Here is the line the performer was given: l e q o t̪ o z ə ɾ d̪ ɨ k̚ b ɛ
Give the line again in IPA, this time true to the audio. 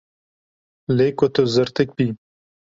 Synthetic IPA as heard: l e k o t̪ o z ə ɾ t̪ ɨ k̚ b i